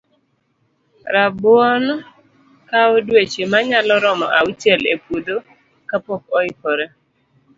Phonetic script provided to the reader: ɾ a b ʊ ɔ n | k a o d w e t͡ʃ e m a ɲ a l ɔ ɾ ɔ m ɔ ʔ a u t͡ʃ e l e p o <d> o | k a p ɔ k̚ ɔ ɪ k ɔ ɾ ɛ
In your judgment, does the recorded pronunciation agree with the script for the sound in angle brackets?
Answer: yes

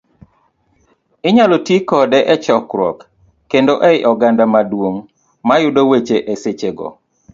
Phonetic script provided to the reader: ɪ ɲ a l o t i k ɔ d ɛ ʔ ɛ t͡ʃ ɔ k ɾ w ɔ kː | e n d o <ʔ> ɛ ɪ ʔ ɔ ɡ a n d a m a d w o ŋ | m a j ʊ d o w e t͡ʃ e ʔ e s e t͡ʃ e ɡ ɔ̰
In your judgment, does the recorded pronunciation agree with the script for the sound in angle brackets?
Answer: yes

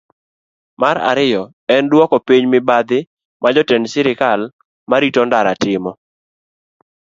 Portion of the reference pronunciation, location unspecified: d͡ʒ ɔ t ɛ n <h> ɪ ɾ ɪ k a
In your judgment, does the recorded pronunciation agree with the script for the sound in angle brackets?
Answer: no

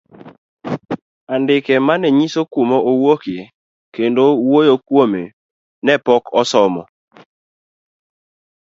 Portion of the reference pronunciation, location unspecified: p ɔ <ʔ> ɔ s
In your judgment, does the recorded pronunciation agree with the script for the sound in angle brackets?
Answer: no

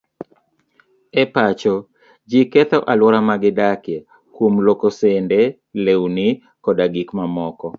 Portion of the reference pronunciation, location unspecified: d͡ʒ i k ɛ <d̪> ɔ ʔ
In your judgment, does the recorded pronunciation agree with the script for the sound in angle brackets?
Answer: no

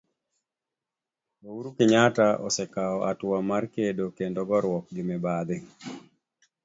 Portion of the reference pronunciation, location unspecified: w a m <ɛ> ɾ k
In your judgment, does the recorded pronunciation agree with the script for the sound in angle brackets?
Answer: no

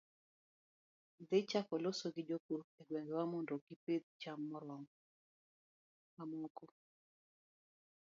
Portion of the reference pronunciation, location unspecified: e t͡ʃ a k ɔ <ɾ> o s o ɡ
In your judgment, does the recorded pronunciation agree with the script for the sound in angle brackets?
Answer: no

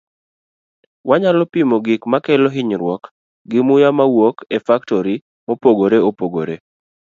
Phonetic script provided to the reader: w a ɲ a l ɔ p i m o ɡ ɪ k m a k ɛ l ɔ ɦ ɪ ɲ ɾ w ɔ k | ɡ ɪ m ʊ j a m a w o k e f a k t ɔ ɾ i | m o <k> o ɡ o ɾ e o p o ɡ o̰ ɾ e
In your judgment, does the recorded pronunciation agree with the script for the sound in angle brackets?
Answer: no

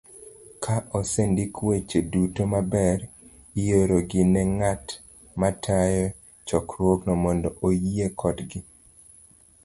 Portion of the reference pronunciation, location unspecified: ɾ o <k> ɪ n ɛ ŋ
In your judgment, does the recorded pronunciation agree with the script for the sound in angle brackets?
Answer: no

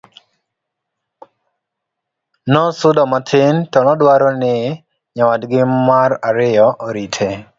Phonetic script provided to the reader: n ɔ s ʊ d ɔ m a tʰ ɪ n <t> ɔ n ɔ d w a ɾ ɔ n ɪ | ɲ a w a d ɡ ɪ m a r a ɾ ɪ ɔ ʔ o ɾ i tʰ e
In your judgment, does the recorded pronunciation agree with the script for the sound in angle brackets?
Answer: yes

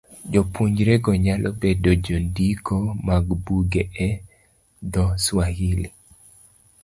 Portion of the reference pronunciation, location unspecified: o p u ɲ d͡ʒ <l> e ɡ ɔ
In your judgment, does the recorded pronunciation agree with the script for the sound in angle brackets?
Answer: no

